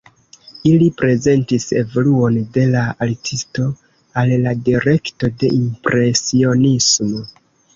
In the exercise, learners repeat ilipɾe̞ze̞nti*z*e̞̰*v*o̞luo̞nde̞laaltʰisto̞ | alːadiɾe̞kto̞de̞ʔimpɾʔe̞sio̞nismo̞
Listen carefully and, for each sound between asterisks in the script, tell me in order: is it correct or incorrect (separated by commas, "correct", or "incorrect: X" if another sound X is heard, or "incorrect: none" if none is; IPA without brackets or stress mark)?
incorrect: s, correct